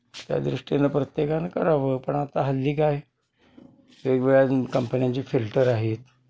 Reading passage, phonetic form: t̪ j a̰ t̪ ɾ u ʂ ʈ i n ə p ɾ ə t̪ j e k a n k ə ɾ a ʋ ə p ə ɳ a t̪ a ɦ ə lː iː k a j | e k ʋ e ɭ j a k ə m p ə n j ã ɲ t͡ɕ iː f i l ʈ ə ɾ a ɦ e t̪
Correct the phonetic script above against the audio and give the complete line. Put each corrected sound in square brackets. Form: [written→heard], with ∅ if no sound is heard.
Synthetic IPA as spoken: t̪ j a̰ [t̪→d̪] ɾ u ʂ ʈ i n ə p ɾ ə t̪ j e k a n k ə ɾ a ʋ ə p ə ɳ a t̪ a ɦ ə lː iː k a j | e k ʋ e ɭ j a k ə m p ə n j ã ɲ t͡ɕ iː f i l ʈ ə ɾ a ɦ e t̪